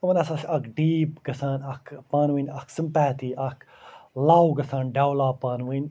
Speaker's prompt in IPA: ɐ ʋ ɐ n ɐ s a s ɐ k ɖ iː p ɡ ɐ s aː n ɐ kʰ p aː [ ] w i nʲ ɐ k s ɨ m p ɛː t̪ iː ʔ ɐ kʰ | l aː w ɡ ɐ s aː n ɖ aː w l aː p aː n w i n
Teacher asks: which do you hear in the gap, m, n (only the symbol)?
n